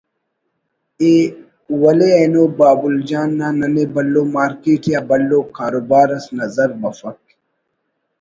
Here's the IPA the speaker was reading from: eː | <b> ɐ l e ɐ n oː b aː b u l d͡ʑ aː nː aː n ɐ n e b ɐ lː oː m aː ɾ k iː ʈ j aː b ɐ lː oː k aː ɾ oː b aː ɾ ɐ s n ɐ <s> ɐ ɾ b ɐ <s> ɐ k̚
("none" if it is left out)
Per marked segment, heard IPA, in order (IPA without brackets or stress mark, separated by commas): w, z, f